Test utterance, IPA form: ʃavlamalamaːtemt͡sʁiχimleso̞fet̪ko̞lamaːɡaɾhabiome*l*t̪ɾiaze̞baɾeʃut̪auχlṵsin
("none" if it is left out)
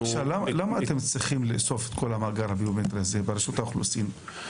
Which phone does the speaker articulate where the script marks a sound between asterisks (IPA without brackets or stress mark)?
none